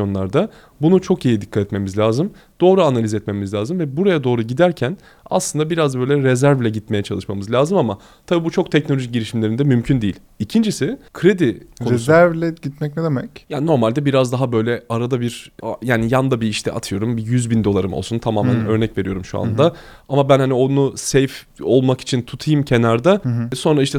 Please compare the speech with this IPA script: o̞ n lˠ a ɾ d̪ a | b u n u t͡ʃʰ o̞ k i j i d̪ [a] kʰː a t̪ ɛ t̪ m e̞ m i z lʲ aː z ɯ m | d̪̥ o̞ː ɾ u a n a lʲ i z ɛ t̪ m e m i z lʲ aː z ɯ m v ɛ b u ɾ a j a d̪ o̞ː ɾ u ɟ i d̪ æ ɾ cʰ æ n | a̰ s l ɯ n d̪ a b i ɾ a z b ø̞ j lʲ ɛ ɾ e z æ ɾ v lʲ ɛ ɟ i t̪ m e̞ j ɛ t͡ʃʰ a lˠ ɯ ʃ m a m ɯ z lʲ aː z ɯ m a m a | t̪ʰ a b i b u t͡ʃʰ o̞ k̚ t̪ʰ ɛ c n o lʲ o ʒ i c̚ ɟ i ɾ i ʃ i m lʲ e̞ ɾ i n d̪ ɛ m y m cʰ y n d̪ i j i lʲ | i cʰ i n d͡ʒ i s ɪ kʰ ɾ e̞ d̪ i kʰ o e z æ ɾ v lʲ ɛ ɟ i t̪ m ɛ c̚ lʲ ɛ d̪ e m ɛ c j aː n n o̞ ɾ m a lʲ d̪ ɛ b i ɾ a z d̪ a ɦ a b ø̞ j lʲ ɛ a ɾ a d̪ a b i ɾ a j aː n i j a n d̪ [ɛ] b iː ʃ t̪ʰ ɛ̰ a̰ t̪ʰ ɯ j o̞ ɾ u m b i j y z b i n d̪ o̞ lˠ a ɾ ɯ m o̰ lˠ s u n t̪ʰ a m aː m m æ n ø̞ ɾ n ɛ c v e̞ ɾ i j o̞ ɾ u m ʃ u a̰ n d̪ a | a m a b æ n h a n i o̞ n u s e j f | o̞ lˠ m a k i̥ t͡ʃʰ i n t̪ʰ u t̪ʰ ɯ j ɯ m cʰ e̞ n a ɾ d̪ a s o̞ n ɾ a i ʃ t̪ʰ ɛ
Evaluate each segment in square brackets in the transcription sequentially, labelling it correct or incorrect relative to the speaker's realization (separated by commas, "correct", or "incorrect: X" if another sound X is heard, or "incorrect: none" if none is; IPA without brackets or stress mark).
incorrect: i, incorrect: a